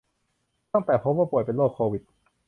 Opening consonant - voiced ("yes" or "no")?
no